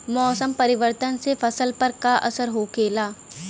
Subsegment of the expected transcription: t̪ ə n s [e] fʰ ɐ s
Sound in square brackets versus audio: correct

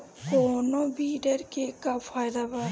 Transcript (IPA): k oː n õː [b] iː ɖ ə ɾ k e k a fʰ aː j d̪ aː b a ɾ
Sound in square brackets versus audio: correct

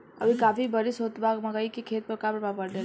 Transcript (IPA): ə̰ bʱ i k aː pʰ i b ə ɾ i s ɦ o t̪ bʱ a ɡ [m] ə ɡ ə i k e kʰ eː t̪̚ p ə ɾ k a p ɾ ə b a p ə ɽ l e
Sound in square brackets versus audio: correct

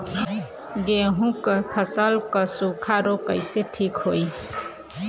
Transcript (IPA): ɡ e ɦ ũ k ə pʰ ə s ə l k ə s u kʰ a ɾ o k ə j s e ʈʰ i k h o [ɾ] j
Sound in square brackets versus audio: incorrect: none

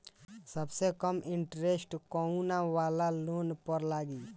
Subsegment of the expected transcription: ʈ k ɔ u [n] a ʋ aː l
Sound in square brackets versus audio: correct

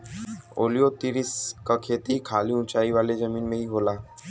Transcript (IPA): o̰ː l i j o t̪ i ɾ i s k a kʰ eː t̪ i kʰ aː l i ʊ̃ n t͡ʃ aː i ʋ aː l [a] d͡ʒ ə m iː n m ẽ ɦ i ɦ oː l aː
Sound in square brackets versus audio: incorrect: e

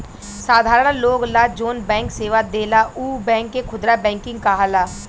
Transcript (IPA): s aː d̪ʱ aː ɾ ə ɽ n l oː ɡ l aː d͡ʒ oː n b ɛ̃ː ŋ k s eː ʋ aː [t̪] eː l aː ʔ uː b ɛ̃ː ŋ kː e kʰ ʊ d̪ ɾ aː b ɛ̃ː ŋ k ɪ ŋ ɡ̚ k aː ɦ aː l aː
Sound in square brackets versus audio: incorrect: d̪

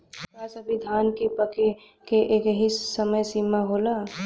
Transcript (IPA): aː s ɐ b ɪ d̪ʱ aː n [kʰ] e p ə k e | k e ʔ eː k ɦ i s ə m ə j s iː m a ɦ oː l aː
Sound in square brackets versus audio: incorrect: k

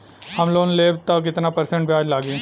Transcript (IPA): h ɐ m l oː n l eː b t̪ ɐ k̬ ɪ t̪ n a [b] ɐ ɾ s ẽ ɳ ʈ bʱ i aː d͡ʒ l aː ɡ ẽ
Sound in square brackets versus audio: incorrect: p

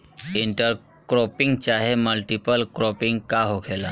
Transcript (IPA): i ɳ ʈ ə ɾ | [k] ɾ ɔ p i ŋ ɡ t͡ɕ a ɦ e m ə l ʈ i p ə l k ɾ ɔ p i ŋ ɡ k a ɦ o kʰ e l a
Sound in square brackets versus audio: correct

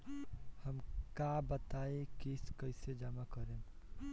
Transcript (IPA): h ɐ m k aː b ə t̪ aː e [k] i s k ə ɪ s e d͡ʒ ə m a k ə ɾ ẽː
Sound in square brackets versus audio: correct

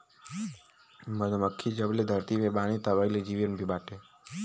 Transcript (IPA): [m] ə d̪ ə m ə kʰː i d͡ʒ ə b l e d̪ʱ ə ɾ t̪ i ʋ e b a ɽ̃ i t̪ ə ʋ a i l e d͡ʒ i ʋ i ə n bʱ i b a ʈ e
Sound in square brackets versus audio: correct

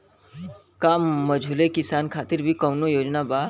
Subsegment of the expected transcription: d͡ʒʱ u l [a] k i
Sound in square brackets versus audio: incorrect: e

